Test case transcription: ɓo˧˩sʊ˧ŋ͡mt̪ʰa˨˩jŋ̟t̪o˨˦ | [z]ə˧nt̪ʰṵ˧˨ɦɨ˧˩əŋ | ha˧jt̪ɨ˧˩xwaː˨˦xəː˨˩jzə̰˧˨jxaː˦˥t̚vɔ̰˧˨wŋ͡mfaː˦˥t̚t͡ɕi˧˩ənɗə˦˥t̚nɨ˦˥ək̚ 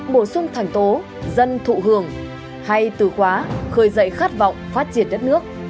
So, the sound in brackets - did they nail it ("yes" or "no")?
yes